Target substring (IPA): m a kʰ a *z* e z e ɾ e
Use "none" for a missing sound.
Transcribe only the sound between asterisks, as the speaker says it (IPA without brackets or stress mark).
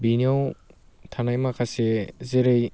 s